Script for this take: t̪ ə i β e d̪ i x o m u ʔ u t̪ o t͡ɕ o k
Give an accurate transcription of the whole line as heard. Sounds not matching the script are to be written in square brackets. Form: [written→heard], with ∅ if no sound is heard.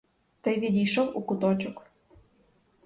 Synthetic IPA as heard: t̪ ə [i→j] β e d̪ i [x→ʃ] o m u [ʔ→k] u t̪ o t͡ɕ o k